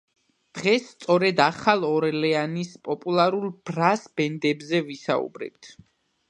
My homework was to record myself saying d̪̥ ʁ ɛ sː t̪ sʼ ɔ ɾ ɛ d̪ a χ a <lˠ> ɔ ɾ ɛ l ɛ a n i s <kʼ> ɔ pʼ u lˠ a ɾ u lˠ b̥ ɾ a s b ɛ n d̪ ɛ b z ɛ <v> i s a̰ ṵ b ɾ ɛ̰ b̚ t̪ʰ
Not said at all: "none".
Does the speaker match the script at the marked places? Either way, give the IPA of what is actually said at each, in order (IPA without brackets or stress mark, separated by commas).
lˠ, pʼ, v